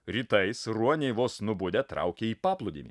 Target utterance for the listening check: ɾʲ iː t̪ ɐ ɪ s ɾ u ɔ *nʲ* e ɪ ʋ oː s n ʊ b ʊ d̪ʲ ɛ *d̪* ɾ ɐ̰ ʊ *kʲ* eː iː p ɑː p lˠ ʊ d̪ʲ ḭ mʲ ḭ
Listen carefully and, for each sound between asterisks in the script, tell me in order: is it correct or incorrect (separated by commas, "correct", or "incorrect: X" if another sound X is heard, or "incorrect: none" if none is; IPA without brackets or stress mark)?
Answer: correct, incorrect: t̪, correct